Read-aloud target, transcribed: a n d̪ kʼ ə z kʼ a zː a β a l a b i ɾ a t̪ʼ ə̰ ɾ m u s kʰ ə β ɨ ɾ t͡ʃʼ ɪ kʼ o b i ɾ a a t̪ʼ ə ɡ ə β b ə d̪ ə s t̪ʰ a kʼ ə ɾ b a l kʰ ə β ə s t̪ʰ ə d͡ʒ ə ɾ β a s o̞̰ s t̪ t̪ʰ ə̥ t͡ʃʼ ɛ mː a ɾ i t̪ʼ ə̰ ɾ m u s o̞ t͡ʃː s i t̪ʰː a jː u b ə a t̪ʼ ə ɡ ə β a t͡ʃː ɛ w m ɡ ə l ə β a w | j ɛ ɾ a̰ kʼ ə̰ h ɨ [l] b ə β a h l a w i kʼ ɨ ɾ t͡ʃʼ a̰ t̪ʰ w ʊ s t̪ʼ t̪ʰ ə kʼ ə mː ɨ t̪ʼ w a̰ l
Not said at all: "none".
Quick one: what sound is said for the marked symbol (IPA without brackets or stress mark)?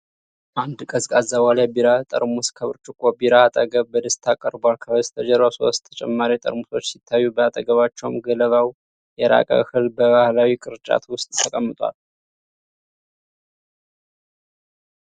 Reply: l